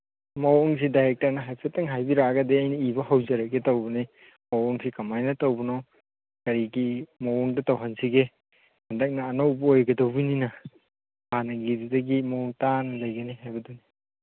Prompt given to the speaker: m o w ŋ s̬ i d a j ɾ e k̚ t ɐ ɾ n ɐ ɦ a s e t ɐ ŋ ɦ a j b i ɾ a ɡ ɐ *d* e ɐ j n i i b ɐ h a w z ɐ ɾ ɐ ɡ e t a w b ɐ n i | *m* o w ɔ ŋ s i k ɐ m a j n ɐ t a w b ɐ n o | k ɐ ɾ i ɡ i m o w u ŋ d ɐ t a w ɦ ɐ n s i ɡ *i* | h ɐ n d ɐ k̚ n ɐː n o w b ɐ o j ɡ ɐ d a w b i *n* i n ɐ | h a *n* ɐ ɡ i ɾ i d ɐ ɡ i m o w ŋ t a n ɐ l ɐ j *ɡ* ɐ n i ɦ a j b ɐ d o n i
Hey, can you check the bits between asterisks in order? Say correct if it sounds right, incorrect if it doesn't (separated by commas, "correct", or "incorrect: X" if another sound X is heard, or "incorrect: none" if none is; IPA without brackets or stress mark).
correct, correct, incorrect: e, correct, correct, correct